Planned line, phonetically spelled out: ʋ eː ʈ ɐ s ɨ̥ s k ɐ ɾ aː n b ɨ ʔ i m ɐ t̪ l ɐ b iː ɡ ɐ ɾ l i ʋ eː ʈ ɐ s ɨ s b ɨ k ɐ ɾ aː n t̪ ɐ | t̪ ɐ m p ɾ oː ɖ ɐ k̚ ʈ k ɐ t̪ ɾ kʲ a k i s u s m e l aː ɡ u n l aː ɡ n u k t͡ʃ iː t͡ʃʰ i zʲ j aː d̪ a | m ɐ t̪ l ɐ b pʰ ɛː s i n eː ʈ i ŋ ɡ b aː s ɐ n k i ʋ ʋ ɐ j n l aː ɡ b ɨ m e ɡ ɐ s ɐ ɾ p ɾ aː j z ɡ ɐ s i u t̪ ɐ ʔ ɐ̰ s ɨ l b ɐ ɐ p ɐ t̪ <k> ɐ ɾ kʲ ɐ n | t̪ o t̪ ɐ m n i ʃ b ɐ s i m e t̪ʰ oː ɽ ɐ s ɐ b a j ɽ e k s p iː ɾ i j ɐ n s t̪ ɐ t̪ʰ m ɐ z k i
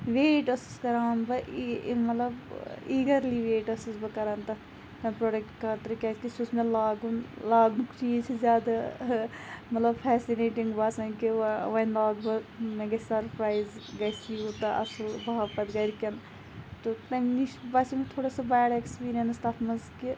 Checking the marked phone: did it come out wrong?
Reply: yes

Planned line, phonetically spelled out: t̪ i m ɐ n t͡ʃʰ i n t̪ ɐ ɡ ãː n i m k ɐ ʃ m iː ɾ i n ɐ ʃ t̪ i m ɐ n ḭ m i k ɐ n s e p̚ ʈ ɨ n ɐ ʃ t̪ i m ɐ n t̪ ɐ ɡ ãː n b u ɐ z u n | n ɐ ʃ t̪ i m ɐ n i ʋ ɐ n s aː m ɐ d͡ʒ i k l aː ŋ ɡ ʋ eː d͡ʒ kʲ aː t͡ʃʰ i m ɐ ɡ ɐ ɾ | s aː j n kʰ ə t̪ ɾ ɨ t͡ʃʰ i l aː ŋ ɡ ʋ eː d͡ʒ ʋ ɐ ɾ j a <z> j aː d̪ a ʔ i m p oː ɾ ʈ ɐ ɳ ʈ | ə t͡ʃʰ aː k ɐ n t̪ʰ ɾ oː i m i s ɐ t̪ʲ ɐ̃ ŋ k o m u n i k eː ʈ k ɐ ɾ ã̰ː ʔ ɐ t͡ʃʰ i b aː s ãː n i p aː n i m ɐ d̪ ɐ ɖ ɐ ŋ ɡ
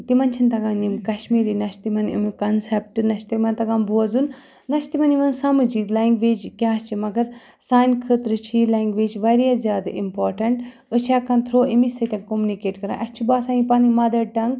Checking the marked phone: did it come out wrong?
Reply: no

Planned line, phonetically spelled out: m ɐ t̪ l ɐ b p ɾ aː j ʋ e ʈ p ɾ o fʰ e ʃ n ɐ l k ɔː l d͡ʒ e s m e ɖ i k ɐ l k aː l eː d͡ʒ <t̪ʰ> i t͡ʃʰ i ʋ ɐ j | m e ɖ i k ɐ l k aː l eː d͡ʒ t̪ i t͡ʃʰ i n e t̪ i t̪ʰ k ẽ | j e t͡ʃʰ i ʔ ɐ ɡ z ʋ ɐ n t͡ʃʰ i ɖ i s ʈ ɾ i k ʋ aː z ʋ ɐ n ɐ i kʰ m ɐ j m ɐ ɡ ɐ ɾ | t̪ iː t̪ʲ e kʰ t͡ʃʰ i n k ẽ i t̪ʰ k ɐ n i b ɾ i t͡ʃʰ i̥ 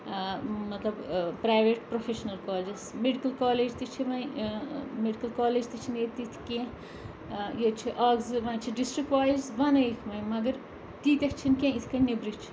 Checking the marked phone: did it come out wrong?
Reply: yes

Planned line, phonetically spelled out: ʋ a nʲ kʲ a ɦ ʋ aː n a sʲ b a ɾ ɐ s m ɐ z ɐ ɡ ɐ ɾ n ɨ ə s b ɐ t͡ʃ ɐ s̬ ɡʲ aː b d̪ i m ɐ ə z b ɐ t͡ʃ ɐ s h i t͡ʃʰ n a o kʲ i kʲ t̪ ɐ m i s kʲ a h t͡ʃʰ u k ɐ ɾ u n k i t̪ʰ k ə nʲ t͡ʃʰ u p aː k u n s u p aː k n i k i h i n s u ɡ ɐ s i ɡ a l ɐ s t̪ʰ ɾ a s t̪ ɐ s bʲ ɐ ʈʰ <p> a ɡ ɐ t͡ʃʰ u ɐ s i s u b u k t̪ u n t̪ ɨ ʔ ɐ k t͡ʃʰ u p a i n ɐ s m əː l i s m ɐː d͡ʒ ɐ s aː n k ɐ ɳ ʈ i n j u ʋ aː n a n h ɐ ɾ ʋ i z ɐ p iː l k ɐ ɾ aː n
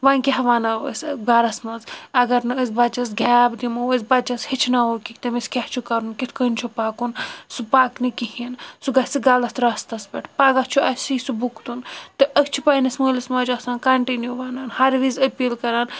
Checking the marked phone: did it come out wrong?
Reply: no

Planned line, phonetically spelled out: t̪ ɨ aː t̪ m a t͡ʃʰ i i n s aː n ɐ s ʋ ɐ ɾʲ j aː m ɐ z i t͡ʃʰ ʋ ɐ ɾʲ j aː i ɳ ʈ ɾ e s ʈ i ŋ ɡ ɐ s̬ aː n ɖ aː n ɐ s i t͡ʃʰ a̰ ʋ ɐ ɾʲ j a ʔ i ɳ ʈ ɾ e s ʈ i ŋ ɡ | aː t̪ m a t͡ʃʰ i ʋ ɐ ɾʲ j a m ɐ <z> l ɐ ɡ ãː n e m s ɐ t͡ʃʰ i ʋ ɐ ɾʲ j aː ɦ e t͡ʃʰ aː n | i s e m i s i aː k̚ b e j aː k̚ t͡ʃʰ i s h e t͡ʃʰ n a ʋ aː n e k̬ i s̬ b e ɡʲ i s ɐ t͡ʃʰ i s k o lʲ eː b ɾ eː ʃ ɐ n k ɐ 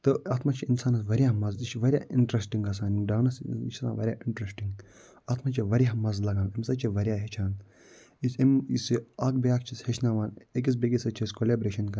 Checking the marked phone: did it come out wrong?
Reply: no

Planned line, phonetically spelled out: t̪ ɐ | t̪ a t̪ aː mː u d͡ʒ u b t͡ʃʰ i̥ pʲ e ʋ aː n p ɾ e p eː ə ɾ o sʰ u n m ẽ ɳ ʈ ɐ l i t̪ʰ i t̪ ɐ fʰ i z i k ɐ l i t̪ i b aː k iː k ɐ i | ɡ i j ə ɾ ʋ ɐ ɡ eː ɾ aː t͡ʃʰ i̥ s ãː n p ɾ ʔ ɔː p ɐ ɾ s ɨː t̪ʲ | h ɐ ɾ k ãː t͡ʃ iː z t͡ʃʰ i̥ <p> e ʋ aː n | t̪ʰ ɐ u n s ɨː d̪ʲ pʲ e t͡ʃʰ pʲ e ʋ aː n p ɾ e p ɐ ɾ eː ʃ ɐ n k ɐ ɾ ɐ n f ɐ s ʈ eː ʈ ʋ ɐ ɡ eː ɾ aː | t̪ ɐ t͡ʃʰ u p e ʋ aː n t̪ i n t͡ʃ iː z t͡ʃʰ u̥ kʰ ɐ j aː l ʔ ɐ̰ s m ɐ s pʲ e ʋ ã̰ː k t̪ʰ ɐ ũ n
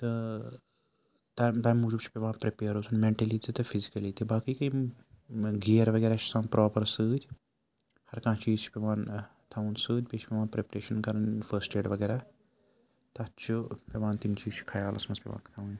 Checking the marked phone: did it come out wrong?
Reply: no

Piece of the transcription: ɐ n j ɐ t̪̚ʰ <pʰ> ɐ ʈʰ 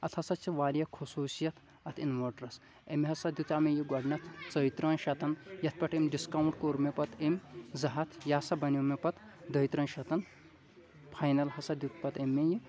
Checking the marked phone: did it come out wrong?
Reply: yes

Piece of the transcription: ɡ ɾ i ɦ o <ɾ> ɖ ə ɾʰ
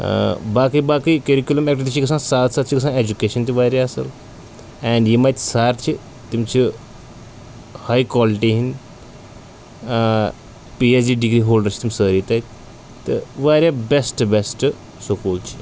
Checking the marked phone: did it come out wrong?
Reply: yes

